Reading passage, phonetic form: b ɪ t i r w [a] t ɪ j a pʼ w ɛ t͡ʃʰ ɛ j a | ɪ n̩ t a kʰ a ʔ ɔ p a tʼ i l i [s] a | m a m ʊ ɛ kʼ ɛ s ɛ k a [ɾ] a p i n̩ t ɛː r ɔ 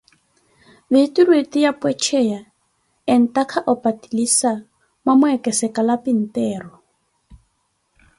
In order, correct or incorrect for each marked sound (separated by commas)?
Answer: incorrect, correct, incorrect